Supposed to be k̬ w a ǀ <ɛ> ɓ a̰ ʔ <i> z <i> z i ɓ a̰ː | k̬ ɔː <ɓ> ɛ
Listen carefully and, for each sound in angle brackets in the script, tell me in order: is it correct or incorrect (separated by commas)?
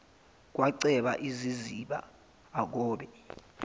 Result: correct, correct, correct, correct